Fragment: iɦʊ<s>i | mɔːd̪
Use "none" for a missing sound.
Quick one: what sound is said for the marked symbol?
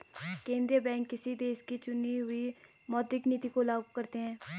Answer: none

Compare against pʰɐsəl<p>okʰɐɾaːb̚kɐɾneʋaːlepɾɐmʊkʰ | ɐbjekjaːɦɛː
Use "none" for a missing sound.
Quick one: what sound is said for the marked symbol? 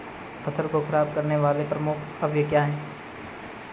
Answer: k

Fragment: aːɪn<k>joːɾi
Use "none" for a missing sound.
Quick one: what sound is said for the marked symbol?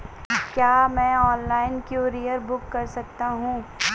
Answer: k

